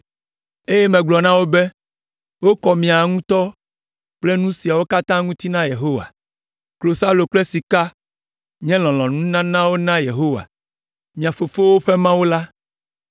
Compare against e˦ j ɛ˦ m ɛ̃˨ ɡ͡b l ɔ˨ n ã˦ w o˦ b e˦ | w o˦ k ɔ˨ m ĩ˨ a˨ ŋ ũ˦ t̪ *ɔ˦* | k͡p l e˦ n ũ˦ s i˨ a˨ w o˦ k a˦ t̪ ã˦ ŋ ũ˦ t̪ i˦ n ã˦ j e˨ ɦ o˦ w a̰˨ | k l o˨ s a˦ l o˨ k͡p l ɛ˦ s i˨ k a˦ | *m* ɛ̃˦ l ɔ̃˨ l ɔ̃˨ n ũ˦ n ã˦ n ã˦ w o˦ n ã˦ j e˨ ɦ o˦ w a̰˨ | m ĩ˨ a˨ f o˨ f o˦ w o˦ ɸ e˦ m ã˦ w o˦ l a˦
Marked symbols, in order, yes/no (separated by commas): yes, no